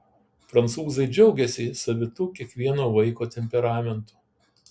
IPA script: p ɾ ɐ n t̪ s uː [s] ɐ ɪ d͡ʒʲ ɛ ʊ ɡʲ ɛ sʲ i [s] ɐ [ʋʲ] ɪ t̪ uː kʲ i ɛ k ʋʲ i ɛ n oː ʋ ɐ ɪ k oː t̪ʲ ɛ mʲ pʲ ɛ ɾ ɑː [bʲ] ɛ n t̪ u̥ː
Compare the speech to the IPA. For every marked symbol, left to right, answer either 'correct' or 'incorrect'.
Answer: incorrect, correct, correct, incorrect

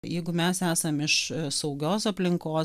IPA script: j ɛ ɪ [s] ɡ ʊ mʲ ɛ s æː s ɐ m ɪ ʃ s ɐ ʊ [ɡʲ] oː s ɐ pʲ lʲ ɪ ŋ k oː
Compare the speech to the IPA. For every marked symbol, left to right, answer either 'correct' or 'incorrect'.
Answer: incorrect, correct

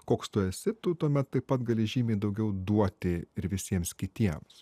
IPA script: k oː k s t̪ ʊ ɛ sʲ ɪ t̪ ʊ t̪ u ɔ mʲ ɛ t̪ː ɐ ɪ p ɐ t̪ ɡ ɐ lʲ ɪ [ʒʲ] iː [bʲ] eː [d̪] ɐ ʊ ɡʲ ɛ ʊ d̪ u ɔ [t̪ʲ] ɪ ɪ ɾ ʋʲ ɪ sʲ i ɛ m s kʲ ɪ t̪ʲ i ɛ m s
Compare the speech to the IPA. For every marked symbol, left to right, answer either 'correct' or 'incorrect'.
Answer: correct, incorrect, correct, correct

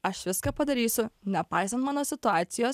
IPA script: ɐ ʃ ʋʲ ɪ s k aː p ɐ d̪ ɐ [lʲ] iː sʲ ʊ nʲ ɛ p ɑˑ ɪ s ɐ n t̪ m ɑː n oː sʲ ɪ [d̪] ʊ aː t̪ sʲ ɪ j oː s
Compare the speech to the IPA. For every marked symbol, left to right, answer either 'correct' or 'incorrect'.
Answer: incorrect, incorrect

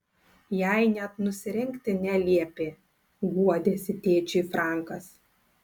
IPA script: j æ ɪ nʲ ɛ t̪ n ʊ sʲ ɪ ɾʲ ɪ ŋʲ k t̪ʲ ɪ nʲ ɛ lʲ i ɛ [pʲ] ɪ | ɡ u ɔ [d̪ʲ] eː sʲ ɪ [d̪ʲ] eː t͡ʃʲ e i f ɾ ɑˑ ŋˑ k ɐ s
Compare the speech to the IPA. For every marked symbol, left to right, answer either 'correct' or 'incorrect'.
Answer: correct, correct, incorrect

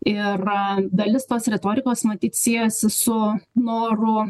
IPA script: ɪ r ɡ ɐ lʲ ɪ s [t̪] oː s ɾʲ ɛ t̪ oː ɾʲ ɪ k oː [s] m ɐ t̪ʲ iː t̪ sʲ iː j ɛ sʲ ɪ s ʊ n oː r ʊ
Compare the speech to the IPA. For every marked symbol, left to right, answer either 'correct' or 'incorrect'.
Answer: correct, correct

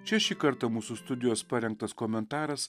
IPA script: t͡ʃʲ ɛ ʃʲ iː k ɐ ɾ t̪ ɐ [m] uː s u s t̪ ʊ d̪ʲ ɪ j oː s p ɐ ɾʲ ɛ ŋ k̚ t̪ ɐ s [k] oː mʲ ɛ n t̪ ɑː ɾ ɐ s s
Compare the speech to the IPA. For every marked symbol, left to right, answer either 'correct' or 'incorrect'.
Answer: correct, correct

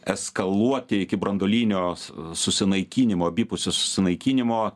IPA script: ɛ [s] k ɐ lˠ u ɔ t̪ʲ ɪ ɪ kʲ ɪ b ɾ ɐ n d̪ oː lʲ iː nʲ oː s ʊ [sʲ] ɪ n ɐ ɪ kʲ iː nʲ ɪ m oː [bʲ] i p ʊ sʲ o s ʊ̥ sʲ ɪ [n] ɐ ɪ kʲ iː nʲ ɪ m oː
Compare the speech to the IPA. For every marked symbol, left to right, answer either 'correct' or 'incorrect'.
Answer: correct, correct, correct, correct

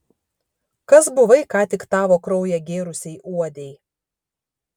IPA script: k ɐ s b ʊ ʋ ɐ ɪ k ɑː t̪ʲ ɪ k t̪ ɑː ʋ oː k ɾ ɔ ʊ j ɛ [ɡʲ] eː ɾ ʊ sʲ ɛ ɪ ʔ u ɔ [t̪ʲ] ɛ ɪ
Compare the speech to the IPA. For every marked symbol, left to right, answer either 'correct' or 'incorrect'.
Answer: correct, incorrect

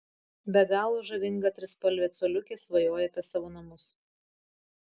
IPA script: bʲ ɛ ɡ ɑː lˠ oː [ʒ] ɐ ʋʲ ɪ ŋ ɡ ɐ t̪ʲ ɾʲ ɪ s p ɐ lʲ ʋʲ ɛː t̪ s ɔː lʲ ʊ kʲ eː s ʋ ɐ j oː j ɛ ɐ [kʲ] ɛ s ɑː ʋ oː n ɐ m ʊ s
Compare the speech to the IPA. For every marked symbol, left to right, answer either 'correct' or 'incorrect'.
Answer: correct, incorrect

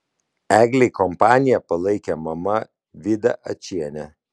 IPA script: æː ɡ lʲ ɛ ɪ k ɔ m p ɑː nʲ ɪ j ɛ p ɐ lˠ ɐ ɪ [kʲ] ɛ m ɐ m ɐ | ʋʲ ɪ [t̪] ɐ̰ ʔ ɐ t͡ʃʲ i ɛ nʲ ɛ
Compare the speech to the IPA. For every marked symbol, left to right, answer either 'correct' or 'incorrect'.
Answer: correct, incorrect

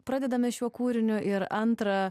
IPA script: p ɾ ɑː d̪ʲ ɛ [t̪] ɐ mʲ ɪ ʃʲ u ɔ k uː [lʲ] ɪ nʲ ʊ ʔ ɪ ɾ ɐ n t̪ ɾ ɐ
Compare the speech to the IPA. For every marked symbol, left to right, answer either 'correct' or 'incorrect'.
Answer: incorrect, incorrect

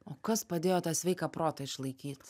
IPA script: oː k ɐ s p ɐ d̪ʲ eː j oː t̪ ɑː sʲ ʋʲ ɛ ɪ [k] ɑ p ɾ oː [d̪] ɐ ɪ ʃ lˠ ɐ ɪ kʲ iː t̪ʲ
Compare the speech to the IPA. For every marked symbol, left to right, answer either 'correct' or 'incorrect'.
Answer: correct, incorrect

